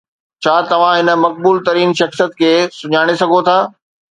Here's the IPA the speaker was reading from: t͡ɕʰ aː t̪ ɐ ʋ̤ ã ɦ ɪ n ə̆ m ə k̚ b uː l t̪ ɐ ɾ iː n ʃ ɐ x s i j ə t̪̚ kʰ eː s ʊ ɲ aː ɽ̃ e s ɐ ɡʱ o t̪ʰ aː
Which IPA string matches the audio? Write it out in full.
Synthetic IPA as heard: t͡ɕʰ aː t̪ ɐ ʋ̤ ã ɦ ɪ n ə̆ m ɐ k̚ b uː l t̪ ɐ ɾ iː n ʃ ɐ x s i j ə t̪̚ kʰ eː s ʊ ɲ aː ɽ̃ e s ɐ ɡʱ o t̪ʰ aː